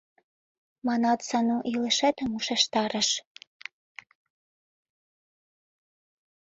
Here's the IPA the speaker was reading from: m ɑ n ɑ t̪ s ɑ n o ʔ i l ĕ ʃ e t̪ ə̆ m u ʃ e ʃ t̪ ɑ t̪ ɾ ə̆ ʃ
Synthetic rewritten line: m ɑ n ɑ t̪ s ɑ n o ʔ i l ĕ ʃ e t̪ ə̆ m u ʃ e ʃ t̪ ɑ ɾ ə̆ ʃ